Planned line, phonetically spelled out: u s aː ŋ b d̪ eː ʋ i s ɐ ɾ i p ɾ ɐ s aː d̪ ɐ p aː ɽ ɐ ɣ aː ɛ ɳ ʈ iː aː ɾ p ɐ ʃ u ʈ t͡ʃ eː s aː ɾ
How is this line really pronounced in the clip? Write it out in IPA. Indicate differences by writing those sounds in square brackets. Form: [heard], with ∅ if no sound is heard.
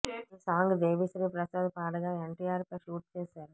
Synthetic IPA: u s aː ŋ [ɡ] d̪ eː ʋ i s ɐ ɾ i p ɾ ɐ s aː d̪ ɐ p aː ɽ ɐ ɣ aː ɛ ɳ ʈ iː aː ɾ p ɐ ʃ [uː] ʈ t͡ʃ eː s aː ɾ